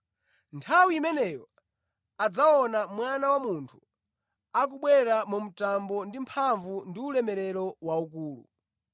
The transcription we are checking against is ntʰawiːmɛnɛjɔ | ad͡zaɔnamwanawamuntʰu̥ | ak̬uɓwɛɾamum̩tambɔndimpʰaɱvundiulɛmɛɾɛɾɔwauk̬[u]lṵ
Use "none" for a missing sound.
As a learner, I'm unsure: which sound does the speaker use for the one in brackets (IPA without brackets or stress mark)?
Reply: uː